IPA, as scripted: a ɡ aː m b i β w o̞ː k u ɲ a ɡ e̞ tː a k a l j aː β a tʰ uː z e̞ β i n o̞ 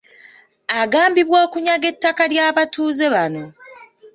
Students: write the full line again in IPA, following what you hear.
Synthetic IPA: a ɡ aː m b i β w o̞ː k u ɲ a ɡ e̞ tː a k a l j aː β a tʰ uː z e̞ β a n o̞